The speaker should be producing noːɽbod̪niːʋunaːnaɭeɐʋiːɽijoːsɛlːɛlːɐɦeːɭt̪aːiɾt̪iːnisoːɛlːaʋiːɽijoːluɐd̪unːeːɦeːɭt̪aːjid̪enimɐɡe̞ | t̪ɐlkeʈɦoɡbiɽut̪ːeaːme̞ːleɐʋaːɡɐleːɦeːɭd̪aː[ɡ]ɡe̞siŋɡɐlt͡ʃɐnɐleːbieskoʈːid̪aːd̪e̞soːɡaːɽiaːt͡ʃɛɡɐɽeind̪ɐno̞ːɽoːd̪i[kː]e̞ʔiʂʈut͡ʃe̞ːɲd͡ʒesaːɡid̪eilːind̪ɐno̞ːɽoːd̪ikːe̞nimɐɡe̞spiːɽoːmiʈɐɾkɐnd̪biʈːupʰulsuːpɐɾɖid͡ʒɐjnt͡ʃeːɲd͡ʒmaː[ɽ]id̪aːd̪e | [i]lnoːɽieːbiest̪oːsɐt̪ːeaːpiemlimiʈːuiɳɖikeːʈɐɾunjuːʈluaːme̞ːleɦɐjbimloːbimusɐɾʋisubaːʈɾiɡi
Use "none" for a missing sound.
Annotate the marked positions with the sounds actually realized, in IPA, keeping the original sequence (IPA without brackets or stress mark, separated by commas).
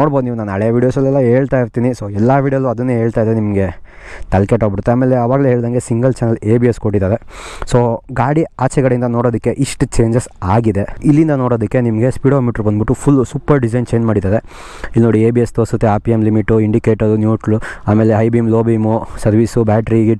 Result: ŋ, kː, ɽ, i